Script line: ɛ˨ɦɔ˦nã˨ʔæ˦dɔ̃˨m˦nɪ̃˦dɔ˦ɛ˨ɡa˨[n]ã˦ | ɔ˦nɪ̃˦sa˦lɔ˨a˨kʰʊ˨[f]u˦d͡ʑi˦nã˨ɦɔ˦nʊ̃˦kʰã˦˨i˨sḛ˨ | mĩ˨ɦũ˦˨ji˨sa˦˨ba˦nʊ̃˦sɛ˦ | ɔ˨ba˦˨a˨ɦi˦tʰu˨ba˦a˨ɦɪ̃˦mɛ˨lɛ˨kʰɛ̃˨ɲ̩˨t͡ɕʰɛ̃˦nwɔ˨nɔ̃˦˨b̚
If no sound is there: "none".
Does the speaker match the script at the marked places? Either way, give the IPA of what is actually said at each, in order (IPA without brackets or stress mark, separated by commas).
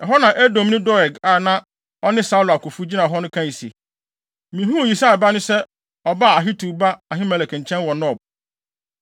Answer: n, f